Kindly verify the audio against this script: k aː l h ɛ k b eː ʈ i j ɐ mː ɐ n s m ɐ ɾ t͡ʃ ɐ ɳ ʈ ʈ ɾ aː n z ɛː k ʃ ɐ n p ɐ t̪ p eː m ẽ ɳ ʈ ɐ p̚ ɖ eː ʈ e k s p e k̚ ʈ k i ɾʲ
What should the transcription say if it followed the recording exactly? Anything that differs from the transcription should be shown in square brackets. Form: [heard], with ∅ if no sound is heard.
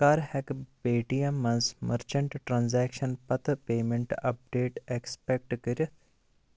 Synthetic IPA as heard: k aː [ɾ] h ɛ k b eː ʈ i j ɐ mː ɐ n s m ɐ ɾ t͡ʃ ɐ ɳ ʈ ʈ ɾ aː n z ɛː k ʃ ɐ n p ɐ t̪ p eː m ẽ ɳ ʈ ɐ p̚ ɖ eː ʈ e k s p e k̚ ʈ k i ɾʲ